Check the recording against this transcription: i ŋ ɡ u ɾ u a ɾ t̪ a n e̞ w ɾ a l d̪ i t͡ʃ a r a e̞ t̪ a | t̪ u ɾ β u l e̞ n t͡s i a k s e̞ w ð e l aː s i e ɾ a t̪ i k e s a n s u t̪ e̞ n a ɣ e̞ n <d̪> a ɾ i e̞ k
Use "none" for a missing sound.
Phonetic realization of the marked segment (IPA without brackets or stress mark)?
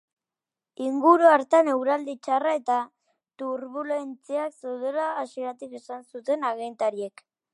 t̪